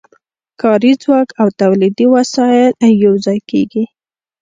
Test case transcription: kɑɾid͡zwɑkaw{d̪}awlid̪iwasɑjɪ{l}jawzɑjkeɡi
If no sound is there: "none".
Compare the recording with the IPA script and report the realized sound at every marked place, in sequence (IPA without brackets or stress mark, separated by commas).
t̪, l